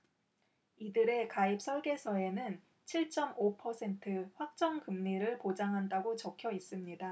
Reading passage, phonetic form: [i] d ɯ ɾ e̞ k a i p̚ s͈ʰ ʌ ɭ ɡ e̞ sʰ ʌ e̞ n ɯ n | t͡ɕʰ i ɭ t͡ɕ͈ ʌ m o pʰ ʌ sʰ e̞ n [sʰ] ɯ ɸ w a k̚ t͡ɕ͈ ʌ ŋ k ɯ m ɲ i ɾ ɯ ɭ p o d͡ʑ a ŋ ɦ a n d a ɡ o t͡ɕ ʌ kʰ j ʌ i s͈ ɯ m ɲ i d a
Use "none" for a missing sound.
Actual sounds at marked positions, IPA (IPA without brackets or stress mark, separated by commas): i, tʰ